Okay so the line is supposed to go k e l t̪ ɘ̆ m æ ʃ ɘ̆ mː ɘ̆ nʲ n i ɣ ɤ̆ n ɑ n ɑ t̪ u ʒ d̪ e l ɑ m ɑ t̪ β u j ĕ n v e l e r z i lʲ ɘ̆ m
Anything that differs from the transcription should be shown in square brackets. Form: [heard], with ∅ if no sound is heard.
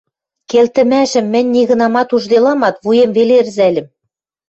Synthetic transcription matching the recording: k e l t̪ ɘ̆ m æ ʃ ɘ̆ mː ɘ̆ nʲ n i ɣ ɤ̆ n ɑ [m] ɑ t̪ u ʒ d̪ e l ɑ m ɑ t̪ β u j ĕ [m] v e l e r z [æ] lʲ ɘ̆ m